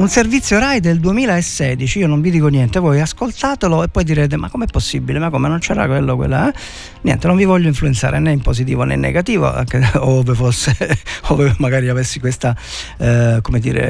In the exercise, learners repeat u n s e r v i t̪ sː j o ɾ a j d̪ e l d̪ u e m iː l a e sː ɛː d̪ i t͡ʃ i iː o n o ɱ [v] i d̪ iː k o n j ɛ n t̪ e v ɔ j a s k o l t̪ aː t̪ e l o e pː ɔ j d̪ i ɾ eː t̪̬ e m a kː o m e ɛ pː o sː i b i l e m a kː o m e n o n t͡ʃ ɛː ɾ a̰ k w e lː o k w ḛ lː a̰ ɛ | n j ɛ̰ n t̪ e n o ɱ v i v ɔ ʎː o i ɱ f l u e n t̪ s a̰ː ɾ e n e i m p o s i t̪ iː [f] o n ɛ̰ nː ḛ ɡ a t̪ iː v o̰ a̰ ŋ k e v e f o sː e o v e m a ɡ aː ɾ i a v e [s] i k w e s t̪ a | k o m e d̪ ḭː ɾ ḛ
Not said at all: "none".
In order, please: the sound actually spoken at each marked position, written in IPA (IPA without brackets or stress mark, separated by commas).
v, v, sː